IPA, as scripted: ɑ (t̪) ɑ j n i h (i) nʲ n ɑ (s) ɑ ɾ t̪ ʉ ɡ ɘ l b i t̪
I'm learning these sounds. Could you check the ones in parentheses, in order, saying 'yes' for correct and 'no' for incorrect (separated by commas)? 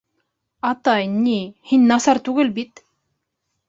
yes, yes, yes